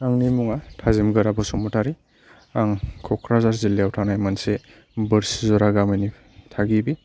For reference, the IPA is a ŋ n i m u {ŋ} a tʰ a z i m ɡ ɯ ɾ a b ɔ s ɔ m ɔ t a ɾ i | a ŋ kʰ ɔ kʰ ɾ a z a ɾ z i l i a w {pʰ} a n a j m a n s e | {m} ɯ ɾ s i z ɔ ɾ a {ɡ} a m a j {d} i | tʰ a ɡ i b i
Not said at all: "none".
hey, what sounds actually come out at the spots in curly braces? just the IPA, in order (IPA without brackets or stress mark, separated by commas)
ŋ, tʰ, b, ɡ, n